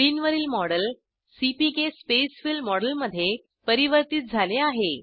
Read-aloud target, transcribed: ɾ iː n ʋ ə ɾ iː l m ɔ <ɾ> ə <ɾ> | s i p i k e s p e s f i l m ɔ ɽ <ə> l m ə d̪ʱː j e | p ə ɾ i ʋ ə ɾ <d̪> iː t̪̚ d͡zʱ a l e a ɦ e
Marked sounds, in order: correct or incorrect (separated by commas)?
incorrect, incorrect, correct, incorrect